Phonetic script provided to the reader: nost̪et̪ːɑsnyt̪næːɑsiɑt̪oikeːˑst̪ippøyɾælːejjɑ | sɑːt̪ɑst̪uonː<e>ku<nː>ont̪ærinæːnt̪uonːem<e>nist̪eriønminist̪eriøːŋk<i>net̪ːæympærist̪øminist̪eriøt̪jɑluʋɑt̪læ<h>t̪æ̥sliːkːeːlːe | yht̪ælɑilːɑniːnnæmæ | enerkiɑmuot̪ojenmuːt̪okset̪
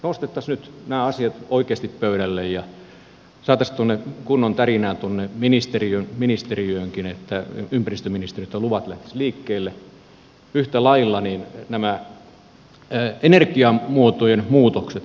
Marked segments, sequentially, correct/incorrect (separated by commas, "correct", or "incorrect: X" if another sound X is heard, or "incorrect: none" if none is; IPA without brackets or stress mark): correct, correct, incorrect: i, correct, correct